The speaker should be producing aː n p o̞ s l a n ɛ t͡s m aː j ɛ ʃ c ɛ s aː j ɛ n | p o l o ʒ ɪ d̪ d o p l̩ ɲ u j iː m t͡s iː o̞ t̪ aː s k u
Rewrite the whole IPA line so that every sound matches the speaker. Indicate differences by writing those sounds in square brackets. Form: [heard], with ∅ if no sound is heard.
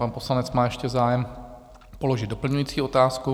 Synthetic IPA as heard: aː n p o̞ s l a n ɛ t͡s m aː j ɛ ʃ c ɛ [z] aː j ɛ [m] | p o l o ʒ ɪ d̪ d o p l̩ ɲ u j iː [∅] t͡s iː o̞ t̪ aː s k u